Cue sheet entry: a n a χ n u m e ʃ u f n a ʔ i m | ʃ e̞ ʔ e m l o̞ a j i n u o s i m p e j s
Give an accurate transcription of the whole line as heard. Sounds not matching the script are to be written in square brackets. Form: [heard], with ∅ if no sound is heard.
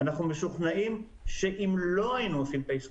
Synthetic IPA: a n a χ n u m e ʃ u [χ] n a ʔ i m | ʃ e̞ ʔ [i] m l o̞ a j i n u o s i m p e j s

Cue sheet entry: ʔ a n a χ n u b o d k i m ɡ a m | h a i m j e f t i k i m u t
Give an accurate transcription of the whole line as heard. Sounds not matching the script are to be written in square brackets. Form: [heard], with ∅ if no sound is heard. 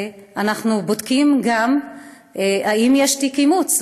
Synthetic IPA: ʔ a n a χ n u b o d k i m ɡ a m | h a i m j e [ʃ] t i k i m u [t͡s]

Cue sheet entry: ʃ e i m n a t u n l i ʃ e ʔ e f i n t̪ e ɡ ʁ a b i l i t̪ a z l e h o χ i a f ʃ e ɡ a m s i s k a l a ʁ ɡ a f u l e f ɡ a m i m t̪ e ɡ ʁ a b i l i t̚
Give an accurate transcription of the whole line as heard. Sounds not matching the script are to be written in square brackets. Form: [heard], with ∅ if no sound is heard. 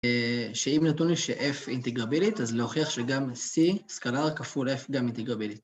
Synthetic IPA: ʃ e i m n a t u n l i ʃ e ʔ e f i n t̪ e ɡ ʁ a b i l i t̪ a z l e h o χ i a [χ] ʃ e ɡ a m s i s k a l a ʁ [k] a f u l e f ɡ a m i [n] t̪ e ɡ ʁ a b i l i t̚

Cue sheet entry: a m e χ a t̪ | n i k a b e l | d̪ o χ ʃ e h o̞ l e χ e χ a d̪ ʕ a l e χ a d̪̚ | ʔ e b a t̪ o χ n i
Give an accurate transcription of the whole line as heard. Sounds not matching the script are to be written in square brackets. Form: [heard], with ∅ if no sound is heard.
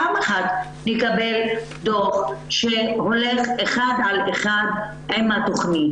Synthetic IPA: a m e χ a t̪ | n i k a b e l | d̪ o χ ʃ e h o̞ l e χ e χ a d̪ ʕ a l e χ a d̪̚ | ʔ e [m] a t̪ o χ n i

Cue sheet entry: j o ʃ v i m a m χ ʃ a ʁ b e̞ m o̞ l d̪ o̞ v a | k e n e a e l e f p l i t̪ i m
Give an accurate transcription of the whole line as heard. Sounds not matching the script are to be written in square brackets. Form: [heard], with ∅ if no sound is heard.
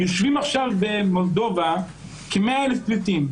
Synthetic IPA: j o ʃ v i m a [∅] χ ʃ a [v] b e̞ m o̞ l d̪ o̞ v a | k e [m] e a e l e f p l i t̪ i m

